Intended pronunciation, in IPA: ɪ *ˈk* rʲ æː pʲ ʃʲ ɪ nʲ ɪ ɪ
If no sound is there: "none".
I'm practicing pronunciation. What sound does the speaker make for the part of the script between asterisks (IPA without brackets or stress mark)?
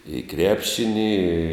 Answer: k